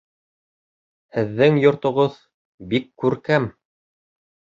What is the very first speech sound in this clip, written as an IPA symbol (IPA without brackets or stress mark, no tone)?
h